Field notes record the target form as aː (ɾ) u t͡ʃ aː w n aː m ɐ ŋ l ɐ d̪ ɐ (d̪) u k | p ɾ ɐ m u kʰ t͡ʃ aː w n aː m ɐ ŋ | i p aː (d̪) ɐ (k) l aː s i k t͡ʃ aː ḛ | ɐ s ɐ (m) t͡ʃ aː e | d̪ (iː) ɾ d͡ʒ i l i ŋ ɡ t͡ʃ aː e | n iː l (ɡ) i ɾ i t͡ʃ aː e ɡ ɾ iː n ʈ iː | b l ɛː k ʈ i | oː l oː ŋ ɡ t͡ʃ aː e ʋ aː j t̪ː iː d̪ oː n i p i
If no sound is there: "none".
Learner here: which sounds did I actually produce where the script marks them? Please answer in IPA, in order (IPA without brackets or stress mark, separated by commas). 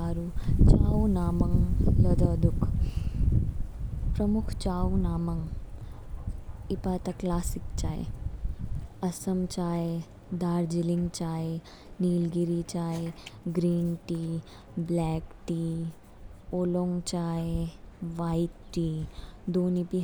ɾ, d̪, t̪, k, m, aː, ɡ